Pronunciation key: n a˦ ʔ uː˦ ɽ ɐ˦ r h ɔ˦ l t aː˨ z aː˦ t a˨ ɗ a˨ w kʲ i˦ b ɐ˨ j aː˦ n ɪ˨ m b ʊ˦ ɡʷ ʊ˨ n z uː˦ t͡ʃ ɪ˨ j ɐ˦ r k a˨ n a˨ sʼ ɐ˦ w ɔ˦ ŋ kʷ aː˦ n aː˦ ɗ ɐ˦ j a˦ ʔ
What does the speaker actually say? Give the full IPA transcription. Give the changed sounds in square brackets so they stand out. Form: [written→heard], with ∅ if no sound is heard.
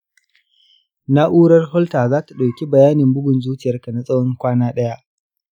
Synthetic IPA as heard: n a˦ ʔ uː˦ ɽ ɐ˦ r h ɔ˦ l t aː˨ z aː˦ t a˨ ɗ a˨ w kʲ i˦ b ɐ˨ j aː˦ n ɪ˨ m b ʊ˦ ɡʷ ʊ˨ n z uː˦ t͡ʃ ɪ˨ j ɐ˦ r k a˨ n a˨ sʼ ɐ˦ w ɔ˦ ŋ kʷ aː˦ n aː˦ ɗ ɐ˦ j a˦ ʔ